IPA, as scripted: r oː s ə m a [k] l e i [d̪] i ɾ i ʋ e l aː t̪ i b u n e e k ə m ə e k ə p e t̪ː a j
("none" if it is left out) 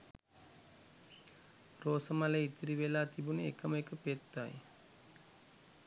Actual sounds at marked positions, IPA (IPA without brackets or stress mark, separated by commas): none, t̪